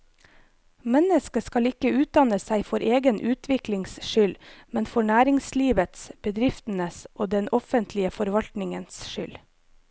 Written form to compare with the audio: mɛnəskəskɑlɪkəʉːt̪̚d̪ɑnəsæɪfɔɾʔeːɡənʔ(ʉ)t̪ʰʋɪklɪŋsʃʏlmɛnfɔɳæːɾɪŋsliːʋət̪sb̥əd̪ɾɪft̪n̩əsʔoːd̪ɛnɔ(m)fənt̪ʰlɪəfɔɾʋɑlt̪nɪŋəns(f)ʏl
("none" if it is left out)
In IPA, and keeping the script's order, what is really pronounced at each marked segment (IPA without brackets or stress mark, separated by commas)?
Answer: ʉː, none, ʃ